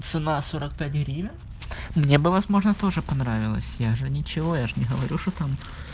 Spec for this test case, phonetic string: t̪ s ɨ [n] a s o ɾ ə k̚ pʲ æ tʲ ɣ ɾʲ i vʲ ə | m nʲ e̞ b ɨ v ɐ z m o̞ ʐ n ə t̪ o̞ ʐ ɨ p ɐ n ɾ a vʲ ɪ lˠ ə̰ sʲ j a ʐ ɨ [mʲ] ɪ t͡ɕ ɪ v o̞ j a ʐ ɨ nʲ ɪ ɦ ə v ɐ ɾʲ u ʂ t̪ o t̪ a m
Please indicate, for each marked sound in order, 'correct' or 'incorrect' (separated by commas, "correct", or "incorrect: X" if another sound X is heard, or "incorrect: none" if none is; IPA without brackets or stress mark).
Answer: correct, incorrect: nʲ